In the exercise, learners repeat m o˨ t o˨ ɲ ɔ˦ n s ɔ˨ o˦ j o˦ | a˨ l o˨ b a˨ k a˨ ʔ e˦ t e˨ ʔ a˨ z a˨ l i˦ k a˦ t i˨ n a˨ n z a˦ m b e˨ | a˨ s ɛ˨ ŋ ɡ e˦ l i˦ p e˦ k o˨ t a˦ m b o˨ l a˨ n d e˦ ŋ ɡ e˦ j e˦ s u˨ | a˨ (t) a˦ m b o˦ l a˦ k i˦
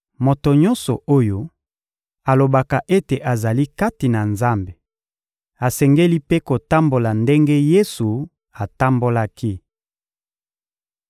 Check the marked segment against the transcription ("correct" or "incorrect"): correct